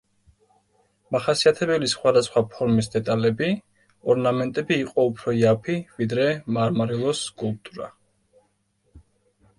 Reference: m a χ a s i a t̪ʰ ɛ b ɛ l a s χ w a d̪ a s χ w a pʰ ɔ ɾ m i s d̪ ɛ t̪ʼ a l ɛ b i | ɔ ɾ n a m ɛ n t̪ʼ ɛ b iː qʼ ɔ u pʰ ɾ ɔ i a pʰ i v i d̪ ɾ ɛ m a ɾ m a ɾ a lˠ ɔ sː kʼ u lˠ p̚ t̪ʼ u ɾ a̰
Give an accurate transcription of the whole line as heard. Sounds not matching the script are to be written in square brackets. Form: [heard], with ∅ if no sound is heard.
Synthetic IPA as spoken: m a χ a s i a t̪ʰ ɛ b ɛ l [i] s χ w a d̪ a s χ w a pʰ ɔ ɾ m i s d̪ ɛ t̪ʼ a l ɛ b i | ɔ ɾ n a m ɛ n t̪ʼ ɛ b iː qʼ ɔ u pʰ ɾ ɔ i a pʰ i v i d̪ ɾ ɛ m a ɾ m a ɾ [i] lˠ ɔ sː kʼ u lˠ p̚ t̪ʼ u ɾ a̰

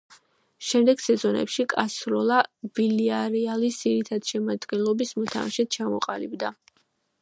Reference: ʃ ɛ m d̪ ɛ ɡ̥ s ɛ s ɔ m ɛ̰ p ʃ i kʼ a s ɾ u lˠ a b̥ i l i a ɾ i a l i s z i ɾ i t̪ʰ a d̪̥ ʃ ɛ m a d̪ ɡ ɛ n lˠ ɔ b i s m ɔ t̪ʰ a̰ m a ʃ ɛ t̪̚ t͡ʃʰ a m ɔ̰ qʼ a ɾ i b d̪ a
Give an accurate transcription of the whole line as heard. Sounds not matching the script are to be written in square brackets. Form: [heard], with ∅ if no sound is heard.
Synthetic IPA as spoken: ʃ ɛ m d̪ ɛ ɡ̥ s ɛ [z] ɔ [n] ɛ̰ p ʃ i kʼ a s ɾ [ɔ] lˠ a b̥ i l i a ɾ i a l i s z i ɾ i t̪ʰ a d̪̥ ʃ ɛ m a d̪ ɡ ɛ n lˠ ɔ b i s m ɔ t̪ʰ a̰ m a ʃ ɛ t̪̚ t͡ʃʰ a m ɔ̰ qʼ a [l] i b d̪ a

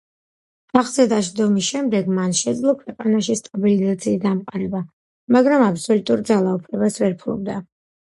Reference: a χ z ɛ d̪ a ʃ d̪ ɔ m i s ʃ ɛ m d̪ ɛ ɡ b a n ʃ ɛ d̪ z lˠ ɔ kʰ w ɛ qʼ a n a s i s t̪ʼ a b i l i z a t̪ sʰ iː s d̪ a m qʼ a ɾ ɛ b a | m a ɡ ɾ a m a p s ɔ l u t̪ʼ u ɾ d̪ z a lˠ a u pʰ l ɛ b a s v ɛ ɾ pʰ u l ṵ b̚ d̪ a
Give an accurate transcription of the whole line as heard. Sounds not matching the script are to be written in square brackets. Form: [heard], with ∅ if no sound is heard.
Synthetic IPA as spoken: a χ z ɛ d̪ a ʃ d̪ ɔ m i s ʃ ɛ m d̪ ɛ ɡ [m] a n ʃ ɛ d̪ z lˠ ɔ kʰ w ɛ qʼ a n a [ʃ] i s t̪ʼ a b i l i z a t̪ sʰ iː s d̪ a m qʼ a ɾ ɛ b a | m a ɡ ɾ a m a p s ɔ l u t̪ʼ u ɾ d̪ z a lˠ a u pʰ l ɛ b a s v ɛ ɾ pʰ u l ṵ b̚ d̪ a

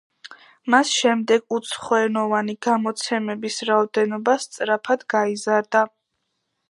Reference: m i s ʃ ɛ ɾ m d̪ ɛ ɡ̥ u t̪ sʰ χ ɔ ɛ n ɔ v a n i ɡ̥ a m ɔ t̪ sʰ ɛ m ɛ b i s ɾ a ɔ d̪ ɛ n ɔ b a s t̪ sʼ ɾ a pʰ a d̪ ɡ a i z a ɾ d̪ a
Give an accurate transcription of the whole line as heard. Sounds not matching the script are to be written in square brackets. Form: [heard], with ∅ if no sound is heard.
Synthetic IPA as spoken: m [a] s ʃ ɛ [∅] m d̪ ɛ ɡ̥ u t̪ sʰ χ ɔ ɛ n ɔ v a n i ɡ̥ a m ɔ t̪ sʰ ɛ m ɛ b i s ɾ a ɔ d̪ ɛ n ɔ b a s t̪ sʼ ɾ a pʰ a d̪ ɡ a i z a ɾ d̪ a

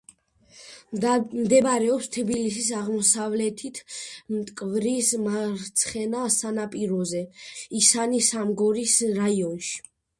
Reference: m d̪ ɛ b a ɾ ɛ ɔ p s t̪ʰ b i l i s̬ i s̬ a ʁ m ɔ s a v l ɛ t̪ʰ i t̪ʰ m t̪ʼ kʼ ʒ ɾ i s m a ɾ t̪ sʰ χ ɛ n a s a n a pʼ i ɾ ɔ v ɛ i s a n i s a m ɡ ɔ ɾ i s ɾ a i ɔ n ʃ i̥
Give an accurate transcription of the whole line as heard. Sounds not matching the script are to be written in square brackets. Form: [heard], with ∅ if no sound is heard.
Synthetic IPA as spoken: m d̪ ɛ b a ɾ ɛ ɔ p s t̪ʰ b i l i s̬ i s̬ a ʁ m ɔ s a v l ɛ t̪ʰ i t̪ʰ m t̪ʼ kʼ [v] ɾ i s m a ɾ t̪ sʰ χ ɛ n a s a n a pʼ i ɾ ɔ [z] ɛ i s a n i s a m ɡ ɔ ɾ i s ɾ a i ɔ n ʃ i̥

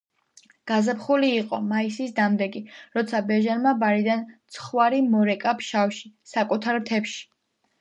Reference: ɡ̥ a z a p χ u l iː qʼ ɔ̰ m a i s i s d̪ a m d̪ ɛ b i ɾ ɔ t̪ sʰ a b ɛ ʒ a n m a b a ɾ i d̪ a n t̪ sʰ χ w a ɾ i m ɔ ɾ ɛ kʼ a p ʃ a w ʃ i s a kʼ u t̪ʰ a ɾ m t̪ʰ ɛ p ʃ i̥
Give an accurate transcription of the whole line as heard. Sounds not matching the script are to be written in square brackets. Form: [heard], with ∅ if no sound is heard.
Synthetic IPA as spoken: ɡ̥ a z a p χ u l iː qʼ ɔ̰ m a i s i s d̪ a m d̪ ɛ [ɡ] i ɾ ɔ t̪ sʰ a b ɛ ʒ a n m a b a ɾ i d̪ a n t̪ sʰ χ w a ɾ i m ɔ ɾ ɛ kʼ a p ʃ a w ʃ i s a kʼ u t̪ʰ a ɾ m t̪ʰ ɛ p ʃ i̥

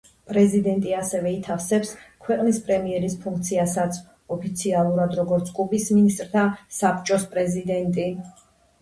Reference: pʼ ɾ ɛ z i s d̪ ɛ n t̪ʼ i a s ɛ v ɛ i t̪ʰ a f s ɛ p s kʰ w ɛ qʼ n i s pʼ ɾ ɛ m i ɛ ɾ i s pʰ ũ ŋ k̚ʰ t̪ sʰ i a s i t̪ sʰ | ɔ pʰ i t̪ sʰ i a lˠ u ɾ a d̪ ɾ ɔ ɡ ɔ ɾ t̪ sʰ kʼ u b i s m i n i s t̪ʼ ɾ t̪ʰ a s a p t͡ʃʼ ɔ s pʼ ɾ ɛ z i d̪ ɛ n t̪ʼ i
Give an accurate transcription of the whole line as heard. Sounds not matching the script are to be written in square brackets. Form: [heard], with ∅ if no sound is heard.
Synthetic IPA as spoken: pʼ ɾ ɛ z i [∅] d̪ ɛ n t̪ʼ i a s ɛ v ɛ i t̪ʰ a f s ɛ p s kʰ w ɛ qʼ n i s pʼ ɾ ɛ m i ɛ ɾ i s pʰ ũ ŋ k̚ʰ t̪ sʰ i a s [a] t̪ sʰ | ɔ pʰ i t̪ sʰ i a lˠ u ɾ a d̪ ɾ ɔ ɡ ɔ ɾ t̪ sʰ kʼ u b i s m i n i s t̪ʼ ɾ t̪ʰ a s a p t͡ʃʼ ɔ s pʼ ɾ ɛ z i d̪ ɛ n t̪ʼ i

